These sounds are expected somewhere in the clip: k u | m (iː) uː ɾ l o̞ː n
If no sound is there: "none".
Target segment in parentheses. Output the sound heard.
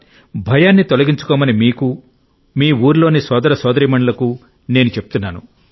iː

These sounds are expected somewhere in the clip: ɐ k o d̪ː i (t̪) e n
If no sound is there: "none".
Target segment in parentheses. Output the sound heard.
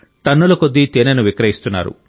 t̪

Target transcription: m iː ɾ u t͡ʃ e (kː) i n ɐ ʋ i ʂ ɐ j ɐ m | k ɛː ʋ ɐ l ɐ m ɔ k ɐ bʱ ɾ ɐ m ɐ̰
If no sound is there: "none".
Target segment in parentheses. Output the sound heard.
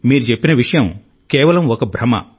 pː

